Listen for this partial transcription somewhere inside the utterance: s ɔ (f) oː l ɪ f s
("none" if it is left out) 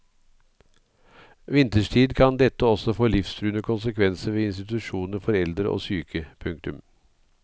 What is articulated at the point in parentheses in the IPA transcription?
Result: f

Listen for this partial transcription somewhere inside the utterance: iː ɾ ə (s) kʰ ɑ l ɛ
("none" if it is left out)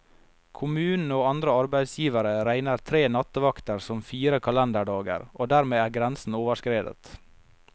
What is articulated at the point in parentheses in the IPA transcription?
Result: none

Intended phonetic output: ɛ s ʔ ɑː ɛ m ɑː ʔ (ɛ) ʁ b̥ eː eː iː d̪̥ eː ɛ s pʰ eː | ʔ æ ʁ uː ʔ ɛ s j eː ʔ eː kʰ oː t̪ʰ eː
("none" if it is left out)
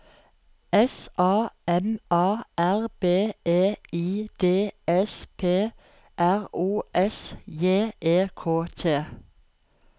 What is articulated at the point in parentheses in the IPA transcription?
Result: æ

